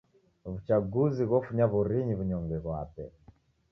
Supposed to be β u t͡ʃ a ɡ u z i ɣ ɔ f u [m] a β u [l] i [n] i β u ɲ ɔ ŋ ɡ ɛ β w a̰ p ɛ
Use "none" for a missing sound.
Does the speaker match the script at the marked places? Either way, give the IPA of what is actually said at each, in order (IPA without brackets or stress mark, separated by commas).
ɲ, ɾ, ɲ